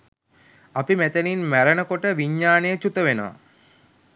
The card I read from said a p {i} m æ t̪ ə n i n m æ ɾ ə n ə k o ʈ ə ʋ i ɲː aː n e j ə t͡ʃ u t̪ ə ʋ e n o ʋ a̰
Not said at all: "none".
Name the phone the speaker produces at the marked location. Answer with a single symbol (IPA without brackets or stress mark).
i